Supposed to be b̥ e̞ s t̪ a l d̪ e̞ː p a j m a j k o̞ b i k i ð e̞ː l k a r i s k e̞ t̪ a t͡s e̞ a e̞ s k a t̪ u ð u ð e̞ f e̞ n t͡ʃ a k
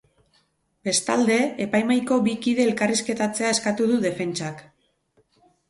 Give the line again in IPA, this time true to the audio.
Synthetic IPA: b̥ e̞ s t̪ a l d̪ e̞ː p a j m a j k o̞ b i k i ð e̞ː l k a r i s k e̞ t̪ a t͡s e̞ a e̞ s k a t̪ u ð u ð e̞ f e̞ n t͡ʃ a k